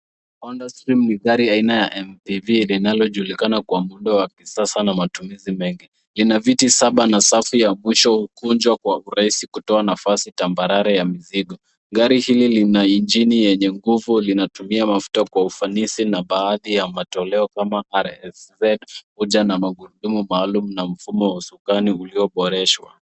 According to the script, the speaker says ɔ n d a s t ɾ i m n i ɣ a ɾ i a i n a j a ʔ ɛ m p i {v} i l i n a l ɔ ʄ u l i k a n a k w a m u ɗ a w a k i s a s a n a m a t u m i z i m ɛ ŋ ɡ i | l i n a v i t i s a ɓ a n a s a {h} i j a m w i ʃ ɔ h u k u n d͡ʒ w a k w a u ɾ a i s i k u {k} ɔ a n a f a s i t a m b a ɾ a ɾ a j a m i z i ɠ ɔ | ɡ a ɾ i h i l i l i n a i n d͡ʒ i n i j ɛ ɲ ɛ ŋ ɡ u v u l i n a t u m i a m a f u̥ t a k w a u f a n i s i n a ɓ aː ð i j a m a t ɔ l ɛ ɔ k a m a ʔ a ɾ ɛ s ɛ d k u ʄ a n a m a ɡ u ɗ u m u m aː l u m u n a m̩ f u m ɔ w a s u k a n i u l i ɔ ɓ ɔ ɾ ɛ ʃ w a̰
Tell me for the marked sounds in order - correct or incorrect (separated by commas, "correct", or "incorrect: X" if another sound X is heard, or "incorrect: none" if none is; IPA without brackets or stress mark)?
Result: correct, incorrect: f, incorrect: t